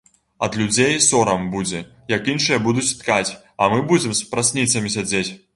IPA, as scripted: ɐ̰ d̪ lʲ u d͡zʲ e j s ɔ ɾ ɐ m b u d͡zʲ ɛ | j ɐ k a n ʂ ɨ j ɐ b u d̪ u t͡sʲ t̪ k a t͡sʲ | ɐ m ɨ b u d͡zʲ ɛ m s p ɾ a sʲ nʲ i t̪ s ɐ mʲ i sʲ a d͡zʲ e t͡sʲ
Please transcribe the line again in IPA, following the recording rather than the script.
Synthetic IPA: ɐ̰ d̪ lʲ u d͡zʲ e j s ɔ ɾ ɐ m b u d͡zʲ ɛ | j ɐ k i n ʂ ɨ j ɐ b u d̪ u t͡sʲ t̪ k a t͡sʲ | ɐ m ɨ b u d͡zʲ ɛ m s p ɾ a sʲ nʲ i t̪ s ɐ mʲ i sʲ a d͡zʲ e t͡sʲ